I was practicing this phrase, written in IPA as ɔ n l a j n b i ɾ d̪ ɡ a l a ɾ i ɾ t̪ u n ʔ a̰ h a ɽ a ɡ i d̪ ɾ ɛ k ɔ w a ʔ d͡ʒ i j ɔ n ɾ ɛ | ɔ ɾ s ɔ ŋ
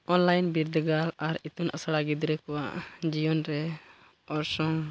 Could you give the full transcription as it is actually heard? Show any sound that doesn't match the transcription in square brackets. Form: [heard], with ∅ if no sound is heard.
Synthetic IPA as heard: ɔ n l a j n b i ɾ d̪ ɡ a l a ɾ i [∅] t̪ u n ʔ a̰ [s] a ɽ a ɡ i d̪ ɾ ɛ k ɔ w a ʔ d͡ʒ i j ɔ n ɾ ɛ | ɔ ɾ s ɔ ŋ